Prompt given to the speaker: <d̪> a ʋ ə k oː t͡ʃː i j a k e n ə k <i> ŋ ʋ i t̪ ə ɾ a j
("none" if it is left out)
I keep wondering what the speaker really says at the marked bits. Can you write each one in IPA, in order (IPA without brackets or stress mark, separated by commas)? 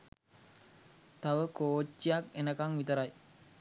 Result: t̪, a